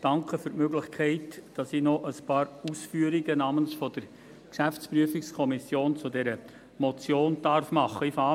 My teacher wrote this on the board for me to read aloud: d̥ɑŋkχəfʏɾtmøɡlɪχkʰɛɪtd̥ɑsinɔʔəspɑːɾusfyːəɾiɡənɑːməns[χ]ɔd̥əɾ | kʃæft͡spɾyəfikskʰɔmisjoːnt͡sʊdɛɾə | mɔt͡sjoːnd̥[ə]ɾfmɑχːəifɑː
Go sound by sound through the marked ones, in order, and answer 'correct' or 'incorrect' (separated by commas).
incorrect, incorrect